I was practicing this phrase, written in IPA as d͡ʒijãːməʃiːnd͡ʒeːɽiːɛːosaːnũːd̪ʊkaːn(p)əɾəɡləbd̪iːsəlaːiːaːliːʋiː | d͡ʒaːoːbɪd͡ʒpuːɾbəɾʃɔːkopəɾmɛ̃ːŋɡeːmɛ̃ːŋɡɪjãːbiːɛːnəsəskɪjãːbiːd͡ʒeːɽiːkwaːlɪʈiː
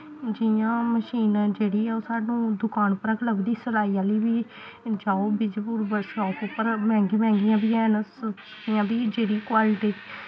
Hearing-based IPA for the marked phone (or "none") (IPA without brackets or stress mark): p